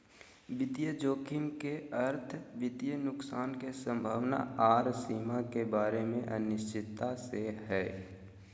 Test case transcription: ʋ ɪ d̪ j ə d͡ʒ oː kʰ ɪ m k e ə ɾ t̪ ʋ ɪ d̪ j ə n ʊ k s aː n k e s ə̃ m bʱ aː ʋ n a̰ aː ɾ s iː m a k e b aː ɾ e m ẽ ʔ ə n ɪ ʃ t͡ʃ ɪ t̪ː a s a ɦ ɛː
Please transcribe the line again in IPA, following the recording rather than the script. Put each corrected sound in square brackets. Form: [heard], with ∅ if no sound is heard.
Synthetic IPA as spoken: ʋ ɪ d̪ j ə d͡ʒ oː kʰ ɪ m k e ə ɾ [t̪ʰ] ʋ ɪ d̪ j ə n ʊ k s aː n k e s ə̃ m bʱ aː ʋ n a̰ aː ɾ s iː m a k e b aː ɾ e m ẽ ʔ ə n ɪ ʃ t͡ʃ ɪ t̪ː a s [e] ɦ ɛː